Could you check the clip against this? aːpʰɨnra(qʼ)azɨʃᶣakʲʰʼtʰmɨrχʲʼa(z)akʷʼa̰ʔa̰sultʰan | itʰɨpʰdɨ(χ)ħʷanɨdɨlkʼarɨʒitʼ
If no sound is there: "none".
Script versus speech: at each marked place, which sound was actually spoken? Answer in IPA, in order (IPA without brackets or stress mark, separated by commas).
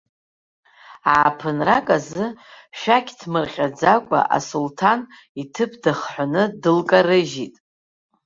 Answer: kʼ, d͡z, χ